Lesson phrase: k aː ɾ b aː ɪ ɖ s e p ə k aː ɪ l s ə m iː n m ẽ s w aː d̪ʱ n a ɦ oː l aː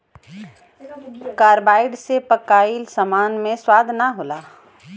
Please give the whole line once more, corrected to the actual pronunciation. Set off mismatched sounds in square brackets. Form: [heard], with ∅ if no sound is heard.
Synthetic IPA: k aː ɾ b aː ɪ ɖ s e p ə k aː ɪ l s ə m [aː] n m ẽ s w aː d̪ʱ n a ɦ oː l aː